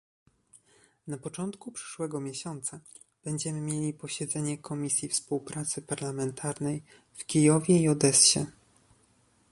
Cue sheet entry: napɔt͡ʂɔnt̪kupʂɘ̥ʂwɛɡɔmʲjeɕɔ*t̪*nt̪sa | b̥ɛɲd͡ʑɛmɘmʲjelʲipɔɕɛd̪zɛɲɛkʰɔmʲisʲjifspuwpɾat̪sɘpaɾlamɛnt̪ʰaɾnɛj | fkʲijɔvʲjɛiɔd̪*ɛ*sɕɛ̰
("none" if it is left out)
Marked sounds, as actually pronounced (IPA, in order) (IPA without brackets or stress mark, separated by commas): none, ɛ